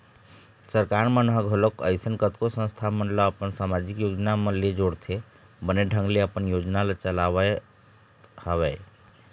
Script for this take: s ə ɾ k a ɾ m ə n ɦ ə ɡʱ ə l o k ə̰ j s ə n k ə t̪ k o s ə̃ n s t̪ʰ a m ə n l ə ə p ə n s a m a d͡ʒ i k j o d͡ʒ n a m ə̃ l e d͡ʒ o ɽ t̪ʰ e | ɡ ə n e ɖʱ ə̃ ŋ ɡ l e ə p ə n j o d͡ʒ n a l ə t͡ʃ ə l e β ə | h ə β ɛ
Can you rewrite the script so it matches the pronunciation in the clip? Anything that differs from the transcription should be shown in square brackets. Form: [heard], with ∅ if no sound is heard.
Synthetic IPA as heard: s ə ɾ k a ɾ m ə n ɦ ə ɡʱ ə l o k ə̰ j s ə n k ə t̪ k o s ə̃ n s t̪ʰ a m ə n l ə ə p ə n s a m a d͡ʒ i k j o d͡ʒ n a m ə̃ l e d͡ʒ o ɽ t̪ʰ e | [b] ə n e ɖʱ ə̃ ŋ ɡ l e ə p ə n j o d͡ʒ n a l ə t͡ʃ ə l [a] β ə | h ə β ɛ